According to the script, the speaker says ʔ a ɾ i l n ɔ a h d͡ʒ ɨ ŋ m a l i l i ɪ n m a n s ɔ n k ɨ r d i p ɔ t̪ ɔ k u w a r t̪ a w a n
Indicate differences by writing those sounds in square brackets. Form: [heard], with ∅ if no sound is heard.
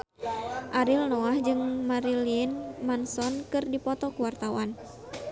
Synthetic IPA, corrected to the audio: ʔ a ɾ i l n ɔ a h d͡ʒ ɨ ŋ m a [ɾ] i l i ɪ n m a n s ɔ n k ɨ r d i p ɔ t̪ ɔ k u w a r t̪ a w a n